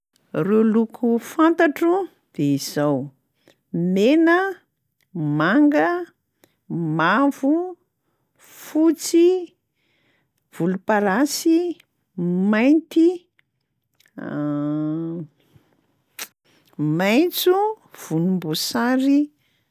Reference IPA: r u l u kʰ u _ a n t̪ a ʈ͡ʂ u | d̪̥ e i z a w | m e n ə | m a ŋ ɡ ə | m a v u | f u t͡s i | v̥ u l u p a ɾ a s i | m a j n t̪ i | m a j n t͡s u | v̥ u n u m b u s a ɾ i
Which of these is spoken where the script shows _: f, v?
f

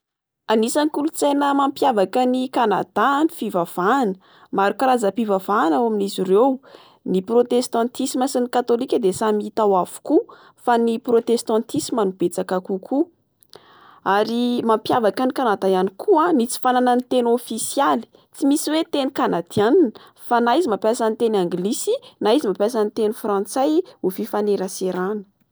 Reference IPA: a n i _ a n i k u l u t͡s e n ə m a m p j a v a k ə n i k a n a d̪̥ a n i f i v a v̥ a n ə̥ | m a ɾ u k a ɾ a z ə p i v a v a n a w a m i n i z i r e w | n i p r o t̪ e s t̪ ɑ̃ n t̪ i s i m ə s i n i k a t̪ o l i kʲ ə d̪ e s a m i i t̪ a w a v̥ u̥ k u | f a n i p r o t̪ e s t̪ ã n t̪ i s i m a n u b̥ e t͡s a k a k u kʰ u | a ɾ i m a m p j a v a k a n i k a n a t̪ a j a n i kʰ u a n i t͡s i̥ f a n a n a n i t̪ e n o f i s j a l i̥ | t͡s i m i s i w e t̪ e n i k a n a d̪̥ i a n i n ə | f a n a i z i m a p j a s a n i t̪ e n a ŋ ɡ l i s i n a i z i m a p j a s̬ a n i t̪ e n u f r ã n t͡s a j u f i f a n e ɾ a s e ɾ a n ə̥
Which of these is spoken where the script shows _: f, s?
s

